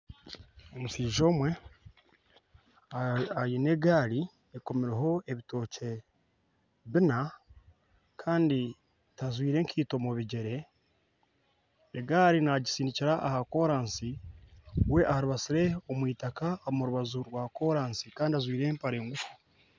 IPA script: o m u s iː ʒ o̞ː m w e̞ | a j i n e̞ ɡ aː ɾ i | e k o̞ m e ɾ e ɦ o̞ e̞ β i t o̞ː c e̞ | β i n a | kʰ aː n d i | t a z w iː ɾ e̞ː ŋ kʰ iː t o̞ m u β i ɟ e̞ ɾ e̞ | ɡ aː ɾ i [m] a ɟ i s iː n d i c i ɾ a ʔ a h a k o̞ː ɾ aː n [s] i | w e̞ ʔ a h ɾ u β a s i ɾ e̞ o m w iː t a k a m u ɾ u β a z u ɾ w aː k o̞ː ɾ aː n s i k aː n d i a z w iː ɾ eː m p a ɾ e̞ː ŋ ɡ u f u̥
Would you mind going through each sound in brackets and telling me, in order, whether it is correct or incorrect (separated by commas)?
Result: incorrect, correct